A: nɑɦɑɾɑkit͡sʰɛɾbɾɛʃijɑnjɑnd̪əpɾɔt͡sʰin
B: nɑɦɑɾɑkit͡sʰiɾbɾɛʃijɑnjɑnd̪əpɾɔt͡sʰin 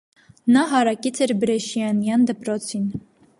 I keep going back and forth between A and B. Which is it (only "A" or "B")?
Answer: A